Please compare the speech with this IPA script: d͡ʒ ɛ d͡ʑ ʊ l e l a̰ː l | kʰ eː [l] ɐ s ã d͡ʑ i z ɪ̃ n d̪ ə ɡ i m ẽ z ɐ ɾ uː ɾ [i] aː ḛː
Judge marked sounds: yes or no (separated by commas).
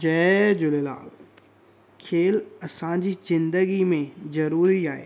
yes, yes